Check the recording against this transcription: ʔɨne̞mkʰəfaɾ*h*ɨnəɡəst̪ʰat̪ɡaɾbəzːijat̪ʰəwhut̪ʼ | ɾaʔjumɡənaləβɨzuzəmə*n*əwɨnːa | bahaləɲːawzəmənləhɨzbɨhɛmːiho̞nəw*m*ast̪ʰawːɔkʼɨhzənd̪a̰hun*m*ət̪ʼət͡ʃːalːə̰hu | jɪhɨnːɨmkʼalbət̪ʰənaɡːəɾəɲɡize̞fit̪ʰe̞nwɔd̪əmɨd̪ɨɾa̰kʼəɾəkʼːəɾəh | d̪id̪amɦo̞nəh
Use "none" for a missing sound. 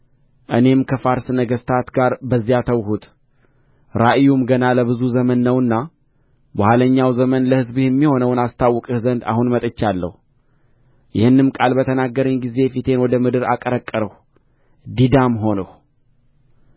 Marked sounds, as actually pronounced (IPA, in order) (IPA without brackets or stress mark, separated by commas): s, nː, n, m